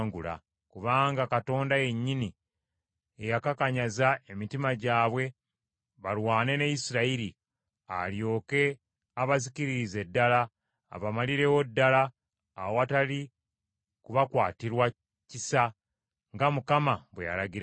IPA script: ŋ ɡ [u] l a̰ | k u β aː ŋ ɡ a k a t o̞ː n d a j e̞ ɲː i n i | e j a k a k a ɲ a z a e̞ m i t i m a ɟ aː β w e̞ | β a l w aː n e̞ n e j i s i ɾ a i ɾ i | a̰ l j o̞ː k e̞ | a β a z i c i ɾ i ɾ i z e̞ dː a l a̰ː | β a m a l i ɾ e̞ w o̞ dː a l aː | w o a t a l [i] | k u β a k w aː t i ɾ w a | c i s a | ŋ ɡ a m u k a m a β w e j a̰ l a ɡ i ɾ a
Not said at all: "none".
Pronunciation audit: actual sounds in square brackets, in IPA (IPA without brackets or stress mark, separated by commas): u, i